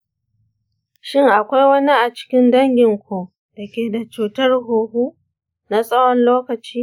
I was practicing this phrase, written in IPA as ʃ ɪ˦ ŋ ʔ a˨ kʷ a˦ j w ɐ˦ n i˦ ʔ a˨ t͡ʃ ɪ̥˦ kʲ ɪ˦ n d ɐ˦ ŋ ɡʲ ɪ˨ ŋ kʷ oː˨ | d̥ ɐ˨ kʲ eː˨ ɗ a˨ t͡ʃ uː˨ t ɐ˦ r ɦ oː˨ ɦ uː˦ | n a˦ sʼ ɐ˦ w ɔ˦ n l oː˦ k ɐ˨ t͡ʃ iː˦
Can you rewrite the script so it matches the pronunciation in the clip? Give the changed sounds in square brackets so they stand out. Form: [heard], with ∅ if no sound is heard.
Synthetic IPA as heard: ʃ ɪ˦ ŋ ʔ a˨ kʷ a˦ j w ɐ˦ n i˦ ʔ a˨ t͡ʃ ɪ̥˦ kʲ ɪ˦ n d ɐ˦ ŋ ɡʲ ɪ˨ ŋ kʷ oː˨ | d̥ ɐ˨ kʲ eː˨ [d] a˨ t͡ʃ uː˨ t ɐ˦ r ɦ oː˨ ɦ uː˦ | n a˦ sʼ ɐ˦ w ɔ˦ n l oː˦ k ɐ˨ t͡ʃ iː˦